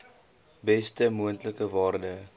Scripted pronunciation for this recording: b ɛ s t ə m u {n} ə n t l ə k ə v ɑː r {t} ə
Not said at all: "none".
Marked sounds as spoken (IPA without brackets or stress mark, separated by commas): none, d